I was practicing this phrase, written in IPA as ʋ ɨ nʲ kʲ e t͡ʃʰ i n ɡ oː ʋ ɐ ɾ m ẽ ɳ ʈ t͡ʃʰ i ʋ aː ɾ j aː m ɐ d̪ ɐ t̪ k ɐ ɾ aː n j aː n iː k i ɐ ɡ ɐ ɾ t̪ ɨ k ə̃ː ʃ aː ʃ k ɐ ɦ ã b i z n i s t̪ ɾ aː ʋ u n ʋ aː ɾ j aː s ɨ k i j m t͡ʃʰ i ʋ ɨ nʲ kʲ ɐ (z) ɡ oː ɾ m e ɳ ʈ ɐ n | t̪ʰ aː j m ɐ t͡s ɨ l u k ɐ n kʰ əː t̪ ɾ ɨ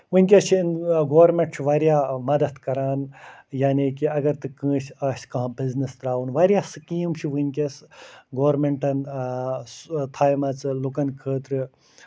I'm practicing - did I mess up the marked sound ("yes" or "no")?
yes